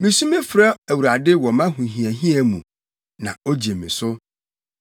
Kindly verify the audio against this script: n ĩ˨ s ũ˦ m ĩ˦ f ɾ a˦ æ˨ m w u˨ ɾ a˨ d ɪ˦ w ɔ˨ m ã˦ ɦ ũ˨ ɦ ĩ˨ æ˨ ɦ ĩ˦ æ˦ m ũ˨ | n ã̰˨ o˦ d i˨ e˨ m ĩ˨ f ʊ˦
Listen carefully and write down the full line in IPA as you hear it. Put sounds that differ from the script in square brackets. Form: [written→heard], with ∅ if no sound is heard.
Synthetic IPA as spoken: [n→m] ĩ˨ s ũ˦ m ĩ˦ f ɾ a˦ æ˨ [m→∅] w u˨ ɾ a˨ d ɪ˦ w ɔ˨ m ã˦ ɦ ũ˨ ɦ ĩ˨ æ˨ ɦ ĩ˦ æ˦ m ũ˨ | n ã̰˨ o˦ [d→d͡ʑ] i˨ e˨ m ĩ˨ [f→s] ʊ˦